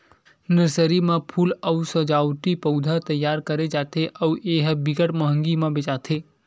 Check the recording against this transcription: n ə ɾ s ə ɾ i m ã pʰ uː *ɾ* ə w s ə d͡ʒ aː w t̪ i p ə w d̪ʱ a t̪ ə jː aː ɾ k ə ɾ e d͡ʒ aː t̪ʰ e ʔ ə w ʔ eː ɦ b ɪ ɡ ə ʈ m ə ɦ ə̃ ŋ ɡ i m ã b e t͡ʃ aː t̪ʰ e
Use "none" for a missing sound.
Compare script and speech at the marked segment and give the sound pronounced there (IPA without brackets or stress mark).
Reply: l